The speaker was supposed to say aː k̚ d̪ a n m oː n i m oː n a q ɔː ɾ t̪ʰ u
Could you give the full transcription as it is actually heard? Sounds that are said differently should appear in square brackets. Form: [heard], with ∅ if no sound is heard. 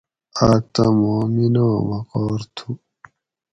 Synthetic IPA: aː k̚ [t̪] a [∅] m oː [m] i [n] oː [m] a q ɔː ɾ t̪ʰ u